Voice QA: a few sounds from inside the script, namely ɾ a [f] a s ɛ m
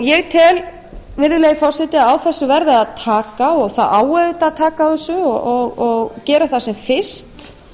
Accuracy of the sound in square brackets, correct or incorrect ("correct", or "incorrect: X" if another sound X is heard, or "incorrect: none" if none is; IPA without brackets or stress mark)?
incorrect: θ